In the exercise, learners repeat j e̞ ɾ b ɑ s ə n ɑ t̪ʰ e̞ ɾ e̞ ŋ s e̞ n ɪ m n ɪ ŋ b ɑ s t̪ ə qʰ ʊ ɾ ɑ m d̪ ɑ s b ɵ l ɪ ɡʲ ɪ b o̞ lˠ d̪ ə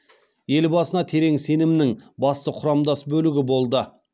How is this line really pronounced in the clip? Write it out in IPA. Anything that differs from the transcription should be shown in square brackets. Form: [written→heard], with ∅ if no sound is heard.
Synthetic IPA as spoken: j e̞ [ɾ→l] b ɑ s ə n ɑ t̪ʰ e̞ ɾ e̞ ŋ s e̞ n ɪ m n ɪ ŋ b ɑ s t̪ ə qʰ ʊ ɾ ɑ m d̪ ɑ s b ɵ l ɪ ɡʲ ɪ b o̞ lˠ d̪ ə